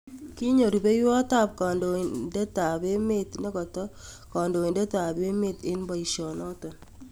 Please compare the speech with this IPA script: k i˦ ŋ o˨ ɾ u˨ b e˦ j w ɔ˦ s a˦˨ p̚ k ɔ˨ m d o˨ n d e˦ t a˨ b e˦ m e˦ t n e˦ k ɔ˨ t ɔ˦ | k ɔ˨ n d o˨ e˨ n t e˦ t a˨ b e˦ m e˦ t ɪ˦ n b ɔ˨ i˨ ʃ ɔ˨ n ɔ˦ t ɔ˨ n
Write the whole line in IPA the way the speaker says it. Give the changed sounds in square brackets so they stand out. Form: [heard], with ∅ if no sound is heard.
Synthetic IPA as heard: k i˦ [ɲ] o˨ ɾ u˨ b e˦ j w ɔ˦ [t] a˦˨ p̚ k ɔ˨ [n] d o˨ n d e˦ t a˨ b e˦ m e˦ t n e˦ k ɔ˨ t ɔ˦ | k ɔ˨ n d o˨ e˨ n [d] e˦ t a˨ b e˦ m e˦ t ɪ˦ n b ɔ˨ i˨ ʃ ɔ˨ n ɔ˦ t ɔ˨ n

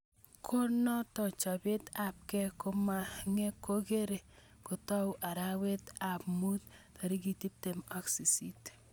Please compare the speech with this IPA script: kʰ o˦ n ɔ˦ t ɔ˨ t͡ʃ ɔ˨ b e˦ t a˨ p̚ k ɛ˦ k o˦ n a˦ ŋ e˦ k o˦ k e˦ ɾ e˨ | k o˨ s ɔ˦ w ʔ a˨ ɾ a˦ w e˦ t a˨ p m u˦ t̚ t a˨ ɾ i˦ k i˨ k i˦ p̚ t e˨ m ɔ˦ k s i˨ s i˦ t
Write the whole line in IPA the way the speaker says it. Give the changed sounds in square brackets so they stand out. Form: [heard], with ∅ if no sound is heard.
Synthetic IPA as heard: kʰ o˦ n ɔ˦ t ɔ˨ t͡ʃ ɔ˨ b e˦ t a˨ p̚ k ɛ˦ k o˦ [m] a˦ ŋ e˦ k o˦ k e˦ ɾ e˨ | k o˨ [t] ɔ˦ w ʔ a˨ ɾ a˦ w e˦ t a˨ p m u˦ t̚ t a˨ ɾ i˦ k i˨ [t] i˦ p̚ t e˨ m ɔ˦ k s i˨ s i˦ t

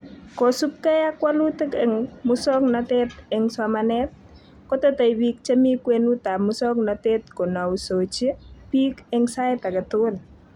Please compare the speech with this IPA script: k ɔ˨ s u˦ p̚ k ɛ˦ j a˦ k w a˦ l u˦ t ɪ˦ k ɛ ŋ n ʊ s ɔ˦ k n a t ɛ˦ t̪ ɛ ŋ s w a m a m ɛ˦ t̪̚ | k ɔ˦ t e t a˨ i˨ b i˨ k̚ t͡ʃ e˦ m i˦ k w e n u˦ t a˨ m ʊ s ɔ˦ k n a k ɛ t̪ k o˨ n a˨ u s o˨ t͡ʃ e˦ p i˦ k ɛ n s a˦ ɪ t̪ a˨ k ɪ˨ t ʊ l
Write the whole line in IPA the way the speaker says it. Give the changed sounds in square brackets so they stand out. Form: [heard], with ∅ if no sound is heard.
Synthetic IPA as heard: k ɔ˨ s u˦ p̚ k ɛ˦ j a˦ k w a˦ l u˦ t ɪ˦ k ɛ ŋ [m] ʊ s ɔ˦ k n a t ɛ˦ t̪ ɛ ŋ s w a m a [n] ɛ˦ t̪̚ | k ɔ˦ t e t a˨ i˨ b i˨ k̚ t͡ʃ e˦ m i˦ k w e n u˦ t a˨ m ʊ s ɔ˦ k n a [t] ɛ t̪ k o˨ n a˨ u s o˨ t͡ʃ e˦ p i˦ k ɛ [ŋ] s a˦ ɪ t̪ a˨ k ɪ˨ t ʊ l

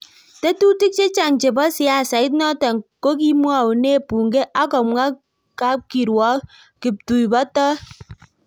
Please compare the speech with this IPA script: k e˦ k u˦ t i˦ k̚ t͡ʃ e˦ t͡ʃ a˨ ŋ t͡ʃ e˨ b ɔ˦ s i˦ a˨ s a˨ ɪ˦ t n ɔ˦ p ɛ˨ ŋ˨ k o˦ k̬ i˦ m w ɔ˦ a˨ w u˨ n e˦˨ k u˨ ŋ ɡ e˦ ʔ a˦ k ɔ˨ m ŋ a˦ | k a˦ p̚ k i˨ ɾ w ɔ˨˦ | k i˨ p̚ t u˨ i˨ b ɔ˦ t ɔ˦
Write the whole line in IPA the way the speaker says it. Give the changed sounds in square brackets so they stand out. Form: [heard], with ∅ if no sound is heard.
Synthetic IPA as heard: [t] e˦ [t] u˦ t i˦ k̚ t͡ʃ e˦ t͡ʃ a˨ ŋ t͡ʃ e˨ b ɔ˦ s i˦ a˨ s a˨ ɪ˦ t n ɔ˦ [t] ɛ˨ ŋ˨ k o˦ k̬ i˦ m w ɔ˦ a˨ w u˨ n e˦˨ [p] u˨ ŋ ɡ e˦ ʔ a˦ k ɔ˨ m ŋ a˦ | k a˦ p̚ k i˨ ɾ w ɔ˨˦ | k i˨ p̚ t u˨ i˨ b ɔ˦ t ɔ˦

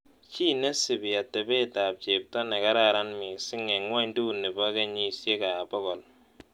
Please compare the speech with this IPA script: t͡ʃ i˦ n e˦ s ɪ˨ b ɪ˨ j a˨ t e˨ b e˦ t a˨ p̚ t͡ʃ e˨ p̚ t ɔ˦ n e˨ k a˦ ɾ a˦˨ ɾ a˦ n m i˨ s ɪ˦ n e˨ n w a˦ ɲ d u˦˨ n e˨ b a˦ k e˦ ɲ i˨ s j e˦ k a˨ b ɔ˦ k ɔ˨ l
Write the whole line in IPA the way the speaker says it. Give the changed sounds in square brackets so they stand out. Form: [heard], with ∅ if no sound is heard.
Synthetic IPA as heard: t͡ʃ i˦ n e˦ s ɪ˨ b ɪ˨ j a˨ t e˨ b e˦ t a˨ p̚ t͡ʃ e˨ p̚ t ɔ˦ n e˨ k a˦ ɾ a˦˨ ɾ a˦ n m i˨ s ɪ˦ [ŋ] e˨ [ŋ] w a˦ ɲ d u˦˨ n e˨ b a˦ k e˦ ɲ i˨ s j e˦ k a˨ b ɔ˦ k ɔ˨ l

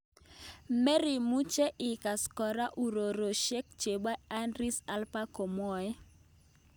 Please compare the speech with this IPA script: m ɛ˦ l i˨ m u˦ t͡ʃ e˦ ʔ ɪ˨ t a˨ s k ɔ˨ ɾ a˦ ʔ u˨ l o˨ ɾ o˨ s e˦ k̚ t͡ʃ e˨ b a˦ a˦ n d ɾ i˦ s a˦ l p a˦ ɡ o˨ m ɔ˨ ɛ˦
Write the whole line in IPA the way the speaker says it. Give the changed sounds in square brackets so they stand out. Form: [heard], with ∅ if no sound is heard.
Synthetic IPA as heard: m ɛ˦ [ɾ] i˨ m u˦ t͡ʃ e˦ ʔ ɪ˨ [k] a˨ s k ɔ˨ ɾ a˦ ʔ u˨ [ɾ] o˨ ɾ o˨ [ʃ] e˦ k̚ t͡ʃ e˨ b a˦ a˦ n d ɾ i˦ s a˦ l p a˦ [k] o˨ m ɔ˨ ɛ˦

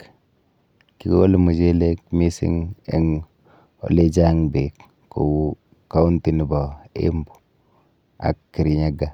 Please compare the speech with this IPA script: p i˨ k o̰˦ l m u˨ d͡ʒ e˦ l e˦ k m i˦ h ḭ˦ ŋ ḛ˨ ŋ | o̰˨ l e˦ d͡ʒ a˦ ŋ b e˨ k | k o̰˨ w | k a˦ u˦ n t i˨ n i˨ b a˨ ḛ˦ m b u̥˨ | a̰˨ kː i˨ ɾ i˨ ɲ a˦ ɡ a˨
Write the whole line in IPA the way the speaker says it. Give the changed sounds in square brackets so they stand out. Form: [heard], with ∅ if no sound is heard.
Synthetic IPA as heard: [k] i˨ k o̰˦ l m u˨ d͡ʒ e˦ l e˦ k m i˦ [s] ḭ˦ ŋ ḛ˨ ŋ | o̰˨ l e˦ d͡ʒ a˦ ŋ b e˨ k | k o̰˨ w | k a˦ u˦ n t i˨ n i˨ b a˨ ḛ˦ m b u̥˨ | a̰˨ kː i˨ ɾ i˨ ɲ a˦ ɡ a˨

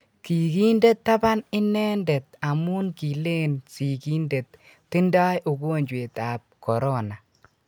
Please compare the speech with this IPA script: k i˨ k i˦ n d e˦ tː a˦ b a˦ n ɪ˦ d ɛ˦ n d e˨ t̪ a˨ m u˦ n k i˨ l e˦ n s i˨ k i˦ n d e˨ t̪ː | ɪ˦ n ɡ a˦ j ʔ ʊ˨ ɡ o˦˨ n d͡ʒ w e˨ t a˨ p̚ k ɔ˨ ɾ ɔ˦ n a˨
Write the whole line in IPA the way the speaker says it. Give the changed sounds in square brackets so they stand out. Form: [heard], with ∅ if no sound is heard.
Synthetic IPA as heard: k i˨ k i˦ n d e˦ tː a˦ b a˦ n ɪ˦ [n] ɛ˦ n d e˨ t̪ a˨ m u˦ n k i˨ l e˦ n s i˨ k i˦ n d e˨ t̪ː | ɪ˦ n [d] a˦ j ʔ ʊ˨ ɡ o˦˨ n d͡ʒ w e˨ t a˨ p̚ k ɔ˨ ɾ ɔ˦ n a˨

